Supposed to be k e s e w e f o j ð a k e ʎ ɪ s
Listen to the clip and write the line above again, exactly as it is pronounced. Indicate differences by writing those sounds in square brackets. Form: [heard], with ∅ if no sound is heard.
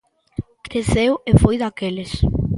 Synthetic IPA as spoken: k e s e w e f o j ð a k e [l] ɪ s

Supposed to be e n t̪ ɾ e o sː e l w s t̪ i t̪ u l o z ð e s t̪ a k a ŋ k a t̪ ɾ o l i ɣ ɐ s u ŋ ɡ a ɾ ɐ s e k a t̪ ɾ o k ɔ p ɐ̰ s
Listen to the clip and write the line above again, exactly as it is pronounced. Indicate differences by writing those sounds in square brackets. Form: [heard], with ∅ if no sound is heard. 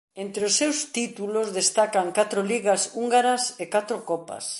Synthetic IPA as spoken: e n t̪ ɾ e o sː e [∅] w s t̪ i t̪ u l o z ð e s t̪ a k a ŋ k a t̪ ɾ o l i ɣ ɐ s u ŋ ɡ a ɾ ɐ s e k a t̪ ɾ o k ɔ p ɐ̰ s

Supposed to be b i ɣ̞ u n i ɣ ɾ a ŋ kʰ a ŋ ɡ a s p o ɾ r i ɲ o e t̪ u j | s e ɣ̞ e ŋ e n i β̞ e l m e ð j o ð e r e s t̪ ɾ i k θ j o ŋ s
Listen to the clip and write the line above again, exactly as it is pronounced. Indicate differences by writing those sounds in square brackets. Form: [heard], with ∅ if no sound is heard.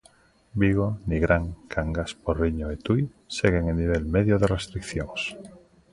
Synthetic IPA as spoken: b i ɣ̞ [o] n i ɣ ɾ a ŋ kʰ a ŋ ɡ a s p o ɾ r i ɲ o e t̪ u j | s e ɣ̞ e ŋ e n i β̞ e l m e ð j o ð e r e s t̪ ɾ i k θ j o ŋ s

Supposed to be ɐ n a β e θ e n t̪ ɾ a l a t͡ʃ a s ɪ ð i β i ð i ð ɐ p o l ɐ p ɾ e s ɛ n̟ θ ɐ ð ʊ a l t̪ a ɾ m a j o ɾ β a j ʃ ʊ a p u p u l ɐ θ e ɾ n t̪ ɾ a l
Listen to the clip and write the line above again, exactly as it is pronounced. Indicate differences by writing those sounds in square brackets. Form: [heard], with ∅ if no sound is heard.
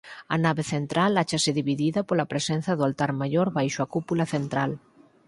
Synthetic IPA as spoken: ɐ n a β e θ e n t̪ ɾ a l a t͡ʃ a s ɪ ð i β i ð i ð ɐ p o l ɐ p ɾ e s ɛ n̟ θ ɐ ð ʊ a l t̪ a ɾ m a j o ɾ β a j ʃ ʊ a [k] u p u l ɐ θ e [∅] n t̪ ɾ a l

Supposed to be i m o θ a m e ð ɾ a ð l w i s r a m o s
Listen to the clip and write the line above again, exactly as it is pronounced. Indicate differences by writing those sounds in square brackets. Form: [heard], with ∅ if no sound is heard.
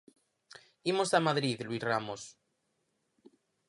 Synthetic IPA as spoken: i m o [s] a m [a] ð ɾ [i] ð l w i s r a m o s

